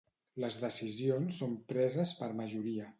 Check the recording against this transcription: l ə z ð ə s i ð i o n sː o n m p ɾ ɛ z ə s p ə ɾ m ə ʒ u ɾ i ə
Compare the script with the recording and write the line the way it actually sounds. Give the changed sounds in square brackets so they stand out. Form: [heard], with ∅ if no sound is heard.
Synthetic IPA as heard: l ə z ð ə s i [z] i o n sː o [∅] m p ɾ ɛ z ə s p ə ɾ m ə ʒ u ɾ i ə